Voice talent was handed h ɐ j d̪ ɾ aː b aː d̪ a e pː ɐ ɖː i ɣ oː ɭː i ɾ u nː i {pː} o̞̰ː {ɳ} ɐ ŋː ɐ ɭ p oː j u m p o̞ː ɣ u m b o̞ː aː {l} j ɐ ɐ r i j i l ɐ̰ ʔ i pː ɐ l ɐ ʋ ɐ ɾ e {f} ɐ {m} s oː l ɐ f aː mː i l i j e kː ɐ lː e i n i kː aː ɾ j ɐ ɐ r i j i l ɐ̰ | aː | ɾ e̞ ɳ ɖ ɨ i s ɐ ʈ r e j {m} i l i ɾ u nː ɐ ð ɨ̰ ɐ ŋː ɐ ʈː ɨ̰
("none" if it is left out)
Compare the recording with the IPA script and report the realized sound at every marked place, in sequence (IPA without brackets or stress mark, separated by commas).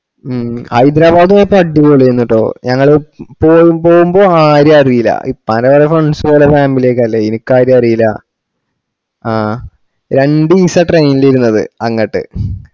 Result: ʈː, ɲ, ɾ, f, ɳ, n